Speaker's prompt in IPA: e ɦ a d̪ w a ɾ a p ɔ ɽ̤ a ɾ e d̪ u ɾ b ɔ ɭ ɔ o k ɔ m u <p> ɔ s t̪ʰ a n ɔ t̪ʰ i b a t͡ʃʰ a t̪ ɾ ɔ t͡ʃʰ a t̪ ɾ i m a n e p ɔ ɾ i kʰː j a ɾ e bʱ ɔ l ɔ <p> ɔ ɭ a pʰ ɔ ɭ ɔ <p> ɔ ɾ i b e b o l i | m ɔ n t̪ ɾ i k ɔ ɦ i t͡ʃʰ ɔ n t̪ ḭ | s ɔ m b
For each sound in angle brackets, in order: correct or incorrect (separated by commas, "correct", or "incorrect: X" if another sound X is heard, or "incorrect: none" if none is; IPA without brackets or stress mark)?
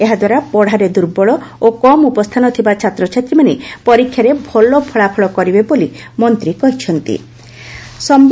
correct, incorrect: pʰ, incorrect: k